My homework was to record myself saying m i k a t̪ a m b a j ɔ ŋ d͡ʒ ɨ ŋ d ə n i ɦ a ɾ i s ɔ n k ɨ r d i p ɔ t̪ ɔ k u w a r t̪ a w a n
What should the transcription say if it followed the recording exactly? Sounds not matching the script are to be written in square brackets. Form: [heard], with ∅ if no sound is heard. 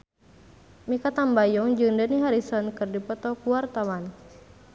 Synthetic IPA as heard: m i k a t̪ a m b a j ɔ ŋ d͡ʒ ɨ ŋ d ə n i ɦ a ɾ i s ɔ n k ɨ r d i p ɔ t̪ ɔ k u w a r t̪ a w a n